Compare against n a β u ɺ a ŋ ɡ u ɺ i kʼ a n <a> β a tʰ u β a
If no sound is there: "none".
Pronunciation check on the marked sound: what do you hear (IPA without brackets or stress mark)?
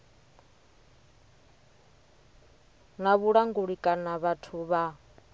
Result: a